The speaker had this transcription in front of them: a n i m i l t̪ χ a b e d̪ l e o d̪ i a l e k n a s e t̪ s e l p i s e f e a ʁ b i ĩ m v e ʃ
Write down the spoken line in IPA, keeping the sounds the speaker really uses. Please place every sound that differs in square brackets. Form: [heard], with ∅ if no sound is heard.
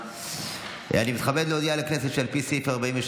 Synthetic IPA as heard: a n i m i [∅] t̪ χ a b e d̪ l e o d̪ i a l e k n [e] s e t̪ [ʃ] e l p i s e f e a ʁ b [a] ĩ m v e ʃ